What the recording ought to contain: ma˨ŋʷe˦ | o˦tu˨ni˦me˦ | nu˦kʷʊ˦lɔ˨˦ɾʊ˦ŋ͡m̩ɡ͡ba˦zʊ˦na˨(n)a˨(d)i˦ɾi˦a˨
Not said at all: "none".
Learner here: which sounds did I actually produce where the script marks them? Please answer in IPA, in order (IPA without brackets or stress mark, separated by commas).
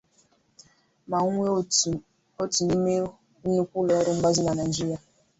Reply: n, d͡ʒ